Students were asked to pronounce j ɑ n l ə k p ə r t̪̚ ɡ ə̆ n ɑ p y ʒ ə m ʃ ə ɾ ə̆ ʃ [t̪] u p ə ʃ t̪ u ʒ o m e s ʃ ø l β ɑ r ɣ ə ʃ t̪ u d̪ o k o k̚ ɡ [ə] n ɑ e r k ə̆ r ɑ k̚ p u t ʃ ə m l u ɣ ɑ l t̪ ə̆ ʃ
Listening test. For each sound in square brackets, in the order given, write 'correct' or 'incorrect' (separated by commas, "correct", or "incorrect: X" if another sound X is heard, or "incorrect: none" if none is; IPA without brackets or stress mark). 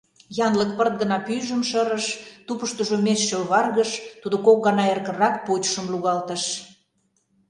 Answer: correct, incorrect: ɑ